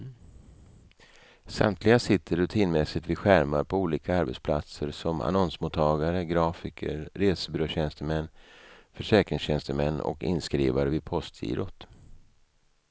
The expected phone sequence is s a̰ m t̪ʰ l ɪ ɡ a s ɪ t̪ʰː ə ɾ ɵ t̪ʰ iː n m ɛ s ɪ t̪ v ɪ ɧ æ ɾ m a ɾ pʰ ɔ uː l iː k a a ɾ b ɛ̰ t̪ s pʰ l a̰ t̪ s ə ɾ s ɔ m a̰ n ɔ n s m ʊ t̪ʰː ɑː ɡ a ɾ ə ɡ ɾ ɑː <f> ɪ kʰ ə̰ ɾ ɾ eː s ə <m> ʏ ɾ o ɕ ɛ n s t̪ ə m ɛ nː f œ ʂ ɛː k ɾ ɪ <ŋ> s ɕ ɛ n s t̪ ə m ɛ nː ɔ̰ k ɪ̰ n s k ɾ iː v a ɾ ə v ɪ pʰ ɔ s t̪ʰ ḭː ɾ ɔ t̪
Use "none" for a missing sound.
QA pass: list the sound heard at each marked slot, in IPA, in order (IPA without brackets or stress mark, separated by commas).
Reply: f, b, ŋ